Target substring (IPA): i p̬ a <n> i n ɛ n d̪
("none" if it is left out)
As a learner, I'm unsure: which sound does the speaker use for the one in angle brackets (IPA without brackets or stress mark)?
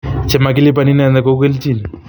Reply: n